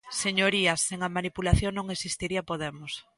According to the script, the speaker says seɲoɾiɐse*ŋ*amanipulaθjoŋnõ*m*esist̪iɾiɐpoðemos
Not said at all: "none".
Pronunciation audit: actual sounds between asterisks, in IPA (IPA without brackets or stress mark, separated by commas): ŋ, ŋ